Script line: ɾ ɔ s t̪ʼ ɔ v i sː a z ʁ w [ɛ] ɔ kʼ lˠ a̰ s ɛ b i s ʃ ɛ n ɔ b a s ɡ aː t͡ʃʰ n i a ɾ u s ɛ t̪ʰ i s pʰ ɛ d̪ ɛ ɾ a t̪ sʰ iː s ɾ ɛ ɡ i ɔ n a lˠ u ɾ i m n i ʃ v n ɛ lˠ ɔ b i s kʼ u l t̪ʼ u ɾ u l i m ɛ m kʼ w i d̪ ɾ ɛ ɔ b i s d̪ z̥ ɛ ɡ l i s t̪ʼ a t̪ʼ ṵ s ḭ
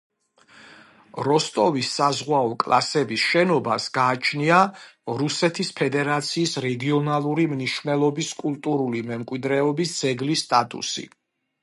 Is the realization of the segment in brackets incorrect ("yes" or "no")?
yes